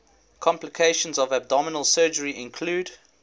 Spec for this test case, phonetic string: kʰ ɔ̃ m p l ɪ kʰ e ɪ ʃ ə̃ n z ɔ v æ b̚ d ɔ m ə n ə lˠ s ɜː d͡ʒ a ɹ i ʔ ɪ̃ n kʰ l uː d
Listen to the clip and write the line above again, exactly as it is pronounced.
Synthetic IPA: kʰ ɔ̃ m p l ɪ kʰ e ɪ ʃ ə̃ n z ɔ v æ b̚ d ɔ m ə n ə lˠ s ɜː d͡ʒ ə ɹ i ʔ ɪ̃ n kʰ l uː d